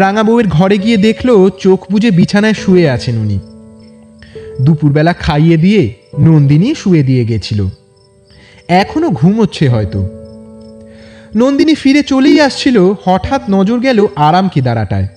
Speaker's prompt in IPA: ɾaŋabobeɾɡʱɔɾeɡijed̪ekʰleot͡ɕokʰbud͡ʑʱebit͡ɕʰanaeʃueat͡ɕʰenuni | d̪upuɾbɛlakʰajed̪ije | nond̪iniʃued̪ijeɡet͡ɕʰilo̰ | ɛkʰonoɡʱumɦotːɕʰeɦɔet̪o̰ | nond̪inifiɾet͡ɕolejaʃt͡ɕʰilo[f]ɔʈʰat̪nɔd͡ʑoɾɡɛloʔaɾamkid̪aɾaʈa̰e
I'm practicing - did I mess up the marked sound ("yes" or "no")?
yes